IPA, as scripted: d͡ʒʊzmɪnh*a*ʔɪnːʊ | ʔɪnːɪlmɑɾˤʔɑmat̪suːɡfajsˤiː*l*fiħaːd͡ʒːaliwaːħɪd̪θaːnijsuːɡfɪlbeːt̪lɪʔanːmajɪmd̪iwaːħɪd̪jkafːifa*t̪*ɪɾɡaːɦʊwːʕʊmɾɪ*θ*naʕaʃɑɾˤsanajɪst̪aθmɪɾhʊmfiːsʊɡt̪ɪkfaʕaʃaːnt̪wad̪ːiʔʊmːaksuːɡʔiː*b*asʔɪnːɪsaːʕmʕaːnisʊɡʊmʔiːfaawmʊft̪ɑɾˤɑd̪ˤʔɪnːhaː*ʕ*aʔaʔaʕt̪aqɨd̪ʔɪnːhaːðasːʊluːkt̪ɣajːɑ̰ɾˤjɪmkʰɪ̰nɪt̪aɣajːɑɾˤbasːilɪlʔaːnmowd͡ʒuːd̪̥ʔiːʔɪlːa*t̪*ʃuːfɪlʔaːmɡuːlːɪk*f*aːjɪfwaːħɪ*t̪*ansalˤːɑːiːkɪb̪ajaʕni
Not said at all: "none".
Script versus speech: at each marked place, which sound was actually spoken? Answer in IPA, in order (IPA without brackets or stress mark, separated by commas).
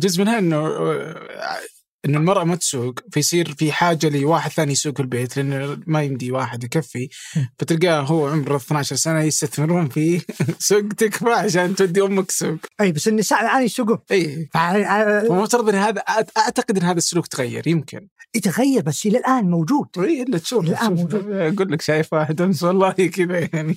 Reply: a, ɾ, t̪, θ, b, ð, t̪, ʃ, d̪